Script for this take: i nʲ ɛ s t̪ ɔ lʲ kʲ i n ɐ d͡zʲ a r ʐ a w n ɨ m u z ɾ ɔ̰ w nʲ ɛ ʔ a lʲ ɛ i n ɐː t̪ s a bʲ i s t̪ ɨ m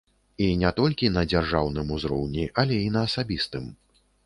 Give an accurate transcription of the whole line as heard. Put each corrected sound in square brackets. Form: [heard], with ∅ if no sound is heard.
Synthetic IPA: i nʲ ɛ [∅] t̪ ɔ lʲ kʲ i n ɐ d͡zʲ a r ʐ a w n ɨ m u z ɾ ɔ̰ w nʲ [i] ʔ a lʲ ɛ i n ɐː [∅] s a bʲ i s t̪ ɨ m